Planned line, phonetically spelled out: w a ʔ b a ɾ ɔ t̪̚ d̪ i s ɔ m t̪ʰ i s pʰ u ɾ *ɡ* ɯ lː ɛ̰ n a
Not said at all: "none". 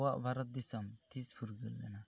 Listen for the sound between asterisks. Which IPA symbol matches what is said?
ɡ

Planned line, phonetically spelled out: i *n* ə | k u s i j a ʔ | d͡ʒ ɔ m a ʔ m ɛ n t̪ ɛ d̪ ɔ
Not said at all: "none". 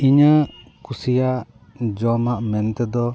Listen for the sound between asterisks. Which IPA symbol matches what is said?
ɲ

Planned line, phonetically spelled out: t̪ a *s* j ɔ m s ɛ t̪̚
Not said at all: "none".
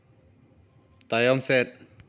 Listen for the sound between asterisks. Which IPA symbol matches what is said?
none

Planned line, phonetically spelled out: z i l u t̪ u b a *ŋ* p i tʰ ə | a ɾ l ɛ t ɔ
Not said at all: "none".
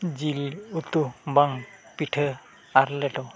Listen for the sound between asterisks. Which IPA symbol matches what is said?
ŋ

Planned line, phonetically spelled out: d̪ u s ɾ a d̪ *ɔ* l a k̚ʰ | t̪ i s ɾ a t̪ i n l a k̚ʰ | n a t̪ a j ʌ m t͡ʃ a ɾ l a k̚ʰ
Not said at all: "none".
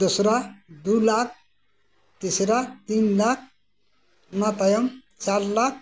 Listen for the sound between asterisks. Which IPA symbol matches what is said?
u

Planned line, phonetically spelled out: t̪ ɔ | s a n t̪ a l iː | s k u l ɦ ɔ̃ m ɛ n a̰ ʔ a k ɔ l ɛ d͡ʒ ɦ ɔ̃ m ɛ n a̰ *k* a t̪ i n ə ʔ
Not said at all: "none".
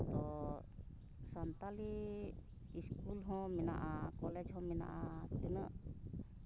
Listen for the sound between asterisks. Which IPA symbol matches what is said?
ʔ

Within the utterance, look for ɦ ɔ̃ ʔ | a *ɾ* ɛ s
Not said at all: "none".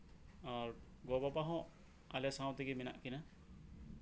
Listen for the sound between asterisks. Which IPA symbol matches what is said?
l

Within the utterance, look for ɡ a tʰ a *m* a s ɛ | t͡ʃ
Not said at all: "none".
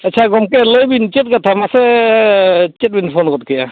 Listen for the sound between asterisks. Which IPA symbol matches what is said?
m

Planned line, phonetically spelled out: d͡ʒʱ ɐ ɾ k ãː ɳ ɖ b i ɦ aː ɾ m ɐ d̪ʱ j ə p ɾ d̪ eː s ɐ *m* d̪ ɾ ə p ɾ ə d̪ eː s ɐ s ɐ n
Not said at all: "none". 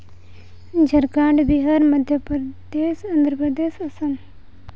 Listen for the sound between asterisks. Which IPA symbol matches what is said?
n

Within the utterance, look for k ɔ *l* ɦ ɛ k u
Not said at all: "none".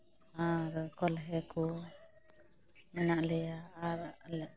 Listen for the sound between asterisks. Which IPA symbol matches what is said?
l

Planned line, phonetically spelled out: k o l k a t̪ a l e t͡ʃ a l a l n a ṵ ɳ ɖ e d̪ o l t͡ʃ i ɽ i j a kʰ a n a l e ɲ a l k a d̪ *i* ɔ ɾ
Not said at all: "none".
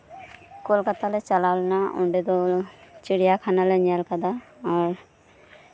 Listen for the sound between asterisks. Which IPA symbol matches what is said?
a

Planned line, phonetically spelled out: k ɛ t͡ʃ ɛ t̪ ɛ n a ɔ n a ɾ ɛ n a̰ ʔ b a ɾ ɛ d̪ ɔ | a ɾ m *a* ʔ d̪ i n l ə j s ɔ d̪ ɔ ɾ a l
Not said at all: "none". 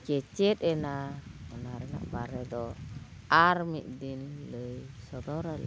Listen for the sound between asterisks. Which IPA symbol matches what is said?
i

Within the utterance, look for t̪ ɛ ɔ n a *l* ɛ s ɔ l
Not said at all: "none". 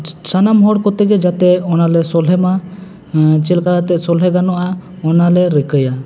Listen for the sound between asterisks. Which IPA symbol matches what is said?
l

